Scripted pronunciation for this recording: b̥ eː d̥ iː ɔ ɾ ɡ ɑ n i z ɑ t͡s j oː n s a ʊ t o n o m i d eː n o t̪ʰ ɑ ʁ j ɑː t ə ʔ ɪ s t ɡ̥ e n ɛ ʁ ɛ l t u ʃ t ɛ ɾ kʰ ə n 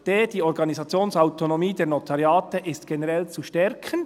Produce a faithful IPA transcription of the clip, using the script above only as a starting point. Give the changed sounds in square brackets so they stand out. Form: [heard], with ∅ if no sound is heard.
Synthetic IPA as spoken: [d̥] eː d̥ iː ɔ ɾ ɡ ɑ n i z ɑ t͡s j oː n s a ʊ t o n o m [iː] d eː n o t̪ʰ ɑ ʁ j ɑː t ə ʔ ɪ s t ɡ̥ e n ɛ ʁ ɛ l [t͡s] u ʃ t ɛ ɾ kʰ ə n